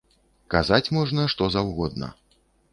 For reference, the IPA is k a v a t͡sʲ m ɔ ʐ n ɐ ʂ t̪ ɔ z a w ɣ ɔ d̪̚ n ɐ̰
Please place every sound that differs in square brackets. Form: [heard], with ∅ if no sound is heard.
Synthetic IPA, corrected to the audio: k a [z] a t͡sʲ m ɔ ʐ n ɐ ʂ t̪ ɔ z a w ɣ ɔ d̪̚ n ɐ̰